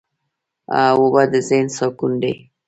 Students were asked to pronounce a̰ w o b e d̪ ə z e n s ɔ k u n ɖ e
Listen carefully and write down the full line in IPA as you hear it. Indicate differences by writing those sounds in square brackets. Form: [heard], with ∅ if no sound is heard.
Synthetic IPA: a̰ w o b [a] d̪ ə z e n s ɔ k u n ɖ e